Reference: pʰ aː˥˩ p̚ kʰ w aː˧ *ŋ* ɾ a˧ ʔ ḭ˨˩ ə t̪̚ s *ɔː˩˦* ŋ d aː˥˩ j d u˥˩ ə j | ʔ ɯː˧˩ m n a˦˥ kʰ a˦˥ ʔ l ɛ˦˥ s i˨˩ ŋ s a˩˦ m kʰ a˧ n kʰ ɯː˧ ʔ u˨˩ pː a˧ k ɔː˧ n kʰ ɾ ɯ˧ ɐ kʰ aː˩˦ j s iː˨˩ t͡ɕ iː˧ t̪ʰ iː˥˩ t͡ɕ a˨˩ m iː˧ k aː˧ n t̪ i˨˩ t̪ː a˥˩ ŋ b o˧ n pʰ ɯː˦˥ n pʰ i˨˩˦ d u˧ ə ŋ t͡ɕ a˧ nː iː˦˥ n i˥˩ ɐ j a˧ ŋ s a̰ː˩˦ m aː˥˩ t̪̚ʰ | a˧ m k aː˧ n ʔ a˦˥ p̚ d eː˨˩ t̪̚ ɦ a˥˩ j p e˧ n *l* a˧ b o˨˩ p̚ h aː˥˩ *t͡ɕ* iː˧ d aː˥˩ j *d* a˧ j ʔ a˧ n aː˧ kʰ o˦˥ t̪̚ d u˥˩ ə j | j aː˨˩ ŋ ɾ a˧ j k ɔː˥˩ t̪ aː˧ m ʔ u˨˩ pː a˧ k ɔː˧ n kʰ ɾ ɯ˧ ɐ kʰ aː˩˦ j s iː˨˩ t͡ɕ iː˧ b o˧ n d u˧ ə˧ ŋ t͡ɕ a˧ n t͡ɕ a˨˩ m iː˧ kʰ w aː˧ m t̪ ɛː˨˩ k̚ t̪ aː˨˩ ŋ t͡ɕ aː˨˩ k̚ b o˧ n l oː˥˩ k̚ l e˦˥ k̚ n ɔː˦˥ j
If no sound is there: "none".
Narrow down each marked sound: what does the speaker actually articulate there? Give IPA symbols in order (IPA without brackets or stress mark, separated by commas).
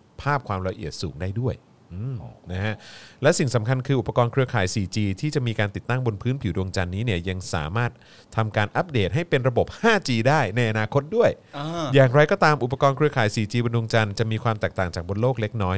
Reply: m, uː˩˦, ɾ, t͡ɕ, n